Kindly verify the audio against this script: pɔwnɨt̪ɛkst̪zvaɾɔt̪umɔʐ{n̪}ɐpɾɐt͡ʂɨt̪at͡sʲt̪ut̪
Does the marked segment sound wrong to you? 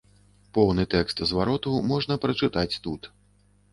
no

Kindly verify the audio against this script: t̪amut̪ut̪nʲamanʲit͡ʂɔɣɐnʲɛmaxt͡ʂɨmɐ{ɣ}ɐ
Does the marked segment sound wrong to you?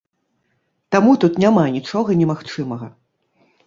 no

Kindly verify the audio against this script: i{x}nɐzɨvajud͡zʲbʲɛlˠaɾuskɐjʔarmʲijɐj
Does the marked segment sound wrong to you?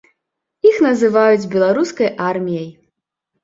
no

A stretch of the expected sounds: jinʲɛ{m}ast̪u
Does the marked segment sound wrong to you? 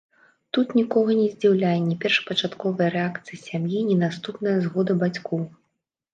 yes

